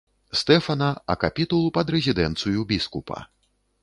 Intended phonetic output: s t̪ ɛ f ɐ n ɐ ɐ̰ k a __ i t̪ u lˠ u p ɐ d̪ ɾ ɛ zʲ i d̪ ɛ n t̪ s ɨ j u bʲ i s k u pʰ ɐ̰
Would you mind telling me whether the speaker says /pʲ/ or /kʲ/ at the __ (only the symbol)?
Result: pʲ